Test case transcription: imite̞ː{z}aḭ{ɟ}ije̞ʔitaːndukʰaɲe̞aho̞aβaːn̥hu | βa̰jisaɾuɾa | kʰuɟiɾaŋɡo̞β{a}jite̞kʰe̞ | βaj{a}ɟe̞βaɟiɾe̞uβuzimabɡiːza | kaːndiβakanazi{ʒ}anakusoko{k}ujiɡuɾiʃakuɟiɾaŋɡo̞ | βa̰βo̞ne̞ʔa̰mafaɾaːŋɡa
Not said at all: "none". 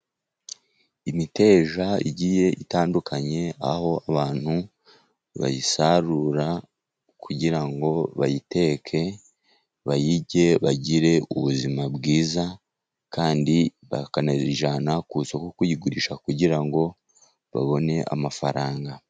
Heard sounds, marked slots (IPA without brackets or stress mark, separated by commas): ʒ, ɟ, a, i, ʒ, k